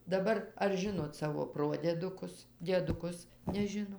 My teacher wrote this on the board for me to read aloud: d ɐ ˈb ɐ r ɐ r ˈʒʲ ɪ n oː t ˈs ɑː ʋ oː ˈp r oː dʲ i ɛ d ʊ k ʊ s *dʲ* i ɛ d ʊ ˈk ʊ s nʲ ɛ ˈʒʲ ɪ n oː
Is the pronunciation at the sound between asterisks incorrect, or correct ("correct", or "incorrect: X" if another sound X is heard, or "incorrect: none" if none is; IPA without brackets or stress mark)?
correct